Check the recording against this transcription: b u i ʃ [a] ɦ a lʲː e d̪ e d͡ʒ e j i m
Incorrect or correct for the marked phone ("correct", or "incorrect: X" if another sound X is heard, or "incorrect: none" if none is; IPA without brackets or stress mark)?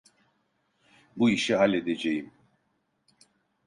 incorrect: i